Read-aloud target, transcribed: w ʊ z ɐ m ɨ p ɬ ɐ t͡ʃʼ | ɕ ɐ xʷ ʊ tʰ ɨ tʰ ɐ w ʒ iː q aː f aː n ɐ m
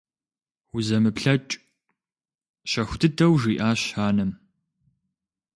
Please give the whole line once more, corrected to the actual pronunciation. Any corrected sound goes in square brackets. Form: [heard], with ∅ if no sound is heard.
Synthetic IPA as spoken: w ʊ z ɐ m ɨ p ɬ ɐ t͡ʃʼ | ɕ ɐ xʷ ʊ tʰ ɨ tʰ ɐ w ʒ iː [ʔ] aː [ɕ] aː n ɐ m